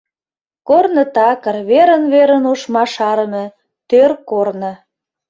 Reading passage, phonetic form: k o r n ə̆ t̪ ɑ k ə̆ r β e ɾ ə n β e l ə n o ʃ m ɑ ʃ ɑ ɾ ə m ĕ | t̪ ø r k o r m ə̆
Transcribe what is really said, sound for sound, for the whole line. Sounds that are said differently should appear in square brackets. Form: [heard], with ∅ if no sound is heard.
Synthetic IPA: k o r n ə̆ t̪ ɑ k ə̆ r β e ɾ ə n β e [ɾ] ə n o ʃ m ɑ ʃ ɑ ɾ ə m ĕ | t̪ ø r k o r [n] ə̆